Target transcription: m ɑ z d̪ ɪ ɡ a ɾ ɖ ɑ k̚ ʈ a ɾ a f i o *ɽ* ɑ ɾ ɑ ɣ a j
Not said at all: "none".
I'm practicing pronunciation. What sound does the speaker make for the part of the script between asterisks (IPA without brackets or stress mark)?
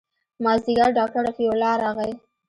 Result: l